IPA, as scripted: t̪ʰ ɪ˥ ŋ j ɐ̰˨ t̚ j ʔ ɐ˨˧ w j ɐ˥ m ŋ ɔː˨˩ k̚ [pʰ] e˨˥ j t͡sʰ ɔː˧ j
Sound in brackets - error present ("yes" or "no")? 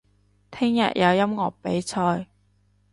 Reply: yes